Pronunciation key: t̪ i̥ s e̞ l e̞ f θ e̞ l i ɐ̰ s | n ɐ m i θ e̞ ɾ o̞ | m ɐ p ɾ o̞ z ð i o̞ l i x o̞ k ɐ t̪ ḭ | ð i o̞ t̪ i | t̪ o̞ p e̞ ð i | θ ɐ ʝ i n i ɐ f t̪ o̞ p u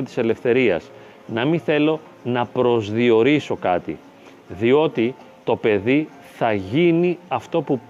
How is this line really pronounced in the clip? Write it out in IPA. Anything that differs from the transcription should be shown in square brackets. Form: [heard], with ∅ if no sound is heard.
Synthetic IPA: t̪ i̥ s e̞ l e̞ f θ e̞ [ɾ] i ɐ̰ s | n ɐ m i θ e̞ [l] o̞ | [n] ɐ p ɾ o̞ z ð i o̞ [ɾ] i [s] o̞ k ɐ t̪ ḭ | ð i o̞ t̪ i | t̪ o̞ p e̞ ð i | θ ɐ ʝ i n i ɐ f t̪ o̞ p u